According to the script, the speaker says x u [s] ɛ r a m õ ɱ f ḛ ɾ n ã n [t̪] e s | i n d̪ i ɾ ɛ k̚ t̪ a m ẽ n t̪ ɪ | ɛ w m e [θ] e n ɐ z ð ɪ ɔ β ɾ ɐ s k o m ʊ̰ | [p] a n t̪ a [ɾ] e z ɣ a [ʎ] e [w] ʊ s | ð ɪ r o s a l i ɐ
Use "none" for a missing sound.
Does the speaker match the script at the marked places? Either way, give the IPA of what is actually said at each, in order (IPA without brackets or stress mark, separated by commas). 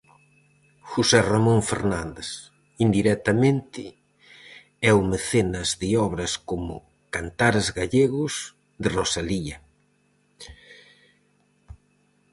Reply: s, d̪, θ, k, ɾ, ʎ, ɣ